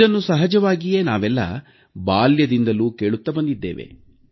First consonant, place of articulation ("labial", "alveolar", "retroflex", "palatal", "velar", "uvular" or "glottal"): alveolar